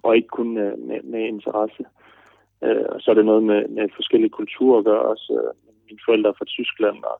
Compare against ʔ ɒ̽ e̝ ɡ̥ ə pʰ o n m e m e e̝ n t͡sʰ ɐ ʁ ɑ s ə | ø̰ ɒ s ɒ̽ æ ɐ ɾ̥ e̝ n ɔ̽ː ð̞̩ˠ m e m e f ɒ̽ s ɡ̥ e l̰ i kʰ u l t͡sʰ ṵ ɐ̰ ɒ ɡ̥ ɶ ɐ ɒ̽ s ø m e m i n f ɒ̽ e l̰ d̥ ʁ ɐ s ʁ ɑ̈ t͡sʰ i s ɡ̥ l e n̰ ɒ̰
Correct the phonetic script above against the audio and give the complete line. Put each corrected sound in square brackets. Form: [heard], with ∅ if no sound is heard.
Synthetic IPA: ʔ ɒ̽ e̝ ɡ̥ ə [kʰ] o n m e m e e̝ n t͡sʰ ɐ ʁ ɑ s ə | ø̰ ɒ s ɒ̽ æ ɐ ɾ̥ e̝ n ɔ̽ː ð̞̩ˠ m e m e f ɒ̽ s ɡ̥ e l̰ i kʰ u l t͡sʰ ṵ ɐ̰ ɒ ɡ̥ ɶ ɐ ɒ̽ s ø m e m i n f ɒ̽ e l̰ d̥ ʁ ɐ [f] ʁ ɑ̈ t͡sʰ [y] s ɡ̥ l [æ] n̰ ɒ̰